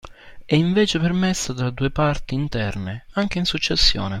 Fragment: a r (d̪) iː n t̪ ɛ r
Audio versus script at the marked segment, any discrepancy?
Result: yes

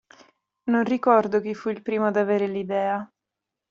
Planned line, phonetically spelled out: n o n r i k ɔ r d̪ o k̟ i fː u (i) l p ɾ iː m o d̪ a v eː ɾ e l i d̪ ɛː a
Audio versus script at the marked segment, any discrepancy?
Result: no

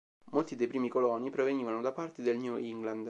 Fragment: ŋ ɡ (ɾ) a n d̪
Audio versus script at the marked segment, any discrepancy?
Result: yes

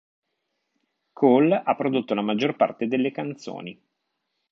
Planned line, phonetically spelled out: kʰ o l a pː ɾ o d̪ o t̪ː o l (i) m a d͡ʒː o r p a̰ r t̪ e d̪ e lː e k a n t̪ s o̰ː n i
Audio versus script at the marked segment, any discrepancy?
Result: yes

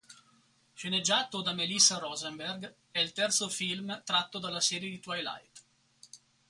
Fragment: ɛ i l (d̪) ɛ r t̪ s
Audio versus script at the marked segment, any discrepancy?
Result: yes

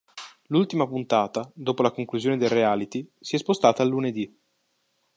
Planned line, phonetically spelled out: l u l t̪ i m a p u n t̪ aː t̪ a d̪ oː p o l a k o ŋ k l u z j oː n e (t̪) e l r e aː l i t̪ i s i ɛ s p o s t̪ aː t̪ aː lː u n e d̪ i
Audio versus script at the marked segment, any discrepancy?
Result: yes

